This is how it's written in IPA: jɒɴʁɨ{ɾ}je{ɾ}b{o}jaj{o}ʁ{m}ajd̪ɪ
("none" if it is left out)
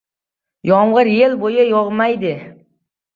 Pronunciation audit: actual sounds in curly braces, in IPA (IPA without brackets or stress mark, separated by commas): ɾ, l, o, ɒ, m